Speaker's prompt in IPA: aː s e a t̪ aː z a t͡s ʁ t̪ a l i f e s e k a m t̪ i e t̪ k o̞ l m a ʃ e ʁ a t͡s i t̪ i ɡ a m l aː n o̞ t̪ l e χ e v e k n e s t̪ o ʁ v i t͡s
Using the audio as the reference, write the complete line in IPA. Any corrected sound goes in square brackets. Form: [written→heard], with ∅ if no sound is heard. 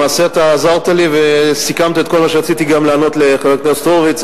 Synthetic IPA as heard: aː s e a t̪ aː z a [t͡s→∅] ʁ t̪ a l i [f→v] e s [e→i] k a m t̪ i e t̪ k o̞ l m a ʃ e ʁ a t͡s i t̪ i ɡ a m l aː n o̞ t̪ l e χ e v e k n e s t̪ o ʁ v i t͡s